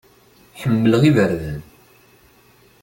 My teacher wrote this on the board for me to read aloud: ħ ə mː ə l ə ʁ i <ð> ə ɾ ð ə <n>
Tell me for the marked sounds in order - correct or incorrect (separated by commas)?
incorrect, correct